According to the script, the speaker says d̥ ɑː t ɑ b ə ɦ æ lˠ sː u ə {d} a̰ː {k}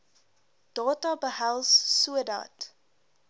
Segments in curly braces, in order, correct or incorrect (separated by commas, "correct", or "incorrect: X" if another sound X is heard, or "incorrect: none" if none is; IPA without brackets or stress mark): correct, incorrect: t